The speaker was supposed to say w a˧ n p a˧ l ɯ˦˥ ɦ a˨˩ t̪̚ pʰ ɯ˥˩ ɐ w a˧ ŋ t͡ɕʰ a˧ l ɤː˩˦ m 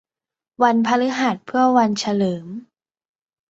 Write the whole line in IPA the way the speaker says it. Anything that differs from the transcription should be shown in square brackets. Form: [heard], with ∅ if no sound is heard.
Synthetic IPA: w a˧ n [pʰ] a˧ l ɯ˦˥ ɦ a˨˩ t̪̚ pʰ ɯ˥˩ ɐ w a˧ [n] t͡ɕʰ a˧ l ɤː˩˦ m